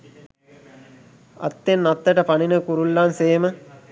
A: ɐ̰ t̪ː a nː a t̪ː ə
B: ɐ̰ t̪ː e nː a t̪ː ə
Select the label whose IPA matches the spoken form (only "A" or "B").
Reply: B